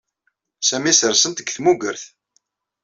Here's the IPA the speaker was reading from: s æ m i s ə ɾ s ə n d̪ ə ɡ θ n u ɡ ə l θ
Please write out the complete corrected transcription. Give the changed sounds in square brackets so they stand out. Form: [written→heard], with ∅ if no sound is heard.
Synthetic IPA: s æ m i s ə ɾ s ə n [d̪→t̪] ə ɡ θ [n→m] u ɡ ə [l→ɾ] θ